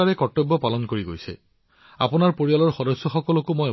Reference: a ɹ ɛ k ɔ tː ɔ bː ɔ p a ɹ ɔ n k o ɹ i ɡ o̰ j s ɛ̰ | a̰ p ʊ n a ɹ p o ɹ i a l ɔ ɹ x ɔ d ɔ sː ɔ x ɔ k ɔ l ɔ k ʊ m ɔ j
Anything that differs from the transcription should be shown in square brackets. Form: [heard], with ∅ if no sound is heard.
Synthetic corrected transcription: a ɹ ɛ k ɔ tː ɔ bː ɔ p a [l] ɔ n k o ɹ i ɡ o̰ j s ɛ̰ | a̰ p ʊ n a ɹ p o ɹ i a l ɔ ɹ x ɔ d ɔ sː ɔ x ɔ k ɔ l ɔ k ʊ m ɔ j